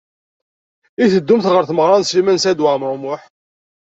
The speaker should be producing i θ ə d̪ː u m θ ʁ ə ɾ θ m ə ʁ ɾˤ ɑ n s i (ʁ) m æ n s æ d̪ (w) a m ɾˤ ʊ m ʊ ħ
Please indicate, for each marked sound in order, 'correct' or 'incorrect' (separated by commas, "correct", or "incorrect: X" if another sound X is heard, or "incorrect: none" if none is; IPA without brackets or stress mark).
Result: incorrect: none, correct